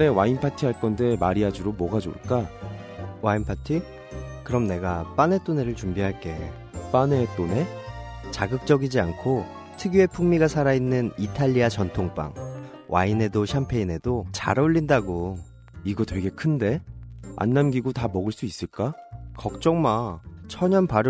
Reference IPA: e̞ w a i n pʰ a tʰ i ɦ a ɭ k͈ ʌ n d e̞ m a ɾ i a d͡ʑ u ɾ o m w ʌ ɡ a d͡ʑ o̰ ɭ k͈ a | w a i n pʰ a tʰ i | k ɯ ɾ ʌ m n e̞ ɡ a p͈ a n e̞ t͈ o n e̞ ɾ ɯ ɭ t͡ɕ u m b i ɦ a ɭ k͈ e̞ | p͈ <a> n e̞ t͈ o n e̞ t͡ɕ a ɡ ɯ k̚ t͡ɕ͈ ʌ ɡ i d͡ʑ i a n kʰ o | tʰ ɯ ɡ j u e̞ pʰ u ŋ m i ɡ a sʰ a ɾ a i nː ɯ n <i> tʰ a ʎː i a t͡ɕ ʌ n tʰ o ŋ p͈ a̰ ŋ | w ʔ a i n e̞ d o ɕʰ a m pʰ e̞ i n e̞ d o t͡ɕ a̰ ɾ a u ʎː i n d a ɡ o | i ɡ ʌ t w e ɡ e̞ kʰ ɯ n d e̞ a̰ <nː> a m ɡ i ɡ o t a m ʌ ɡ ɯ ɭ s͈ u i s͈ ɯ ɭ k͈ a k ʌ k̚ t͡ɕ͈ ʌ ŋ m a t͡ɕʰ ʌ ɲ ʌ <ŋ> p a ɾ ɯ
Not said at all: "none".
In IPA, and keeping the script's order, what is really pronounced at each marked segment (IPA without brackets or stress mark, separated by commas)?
a, i, nː, n